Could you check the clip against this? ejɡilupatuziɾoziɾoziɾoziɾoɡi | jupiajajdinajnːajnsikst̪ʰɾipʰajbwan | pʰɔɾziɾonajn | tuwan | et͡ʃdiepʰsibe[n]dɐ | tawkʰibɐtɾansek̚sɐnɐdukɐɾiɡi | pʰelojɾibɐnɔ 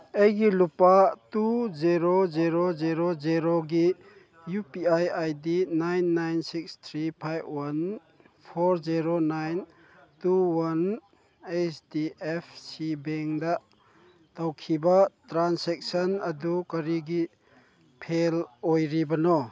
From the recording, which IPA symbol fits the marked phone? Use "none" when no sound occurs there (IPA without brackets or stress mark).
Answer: ŋ